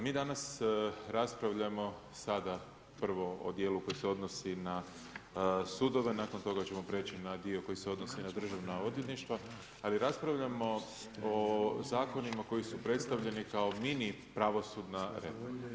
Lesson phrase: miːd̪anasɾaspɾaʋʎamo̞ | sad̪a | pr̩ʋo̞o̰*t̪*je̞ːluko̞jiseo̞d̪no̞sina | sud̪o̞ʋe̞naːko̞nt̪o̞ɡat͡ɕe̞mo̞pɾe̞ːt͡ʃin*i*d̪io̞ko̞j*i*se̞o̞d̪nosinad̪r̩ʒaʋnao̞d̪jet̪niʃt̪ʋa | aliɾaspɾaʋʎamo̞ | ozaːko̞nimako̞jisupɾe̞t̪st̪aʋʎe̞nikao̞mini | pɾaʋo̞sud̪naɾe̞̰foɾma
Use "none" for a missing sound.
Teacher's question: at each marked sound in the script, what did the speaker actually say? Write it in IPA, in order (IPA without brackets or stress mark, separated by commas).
d̪, a, i